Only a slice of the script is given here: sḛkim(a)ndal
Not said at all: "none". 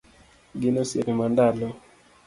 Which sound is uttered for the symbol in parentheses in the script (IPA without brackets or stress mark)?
a